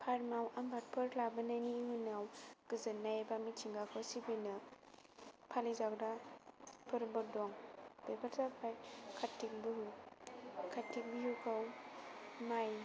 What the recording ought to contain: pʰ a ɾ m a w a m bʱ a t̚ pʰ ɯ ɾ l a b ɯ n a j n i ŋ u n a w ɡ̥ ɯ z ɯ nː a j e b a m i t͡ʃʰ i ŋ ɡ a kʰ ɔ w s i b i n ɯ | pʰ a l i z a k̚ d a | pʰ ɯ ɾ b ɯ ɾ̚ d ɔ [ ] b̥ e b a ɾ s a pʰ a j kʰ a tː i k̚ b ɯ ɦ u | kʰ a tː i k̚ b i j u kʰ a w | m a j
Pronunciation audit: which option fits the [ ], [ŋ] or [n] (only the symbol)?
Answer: ŋ